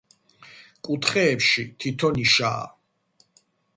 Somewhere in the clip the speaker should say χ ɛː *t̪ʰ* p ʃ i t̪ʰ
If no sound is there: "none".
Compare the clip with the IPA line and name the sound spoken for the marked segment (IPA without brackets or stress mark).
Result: none